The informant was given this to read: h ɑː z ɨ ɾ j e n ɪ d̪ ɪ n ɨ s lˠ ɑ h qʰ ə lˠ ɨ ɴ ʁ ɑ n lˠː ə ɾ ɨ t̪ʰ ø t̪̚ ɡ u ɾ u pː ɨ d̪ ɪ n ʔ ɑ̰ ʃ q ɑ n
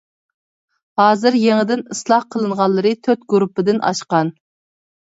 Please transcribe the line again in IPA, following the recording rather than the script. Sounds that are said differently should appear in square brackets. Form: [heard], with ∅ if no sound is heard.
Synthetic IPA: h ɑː z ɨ ɾ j e [ŋ] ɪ d̪ ɪ n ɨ s lˠ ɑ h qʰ ə lˠ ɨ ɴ ʁ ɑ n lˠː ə ɾ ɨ t̪ʰ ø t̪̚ ɡ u ɾ u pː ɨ d̪ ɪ n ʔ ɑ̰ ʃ q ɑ n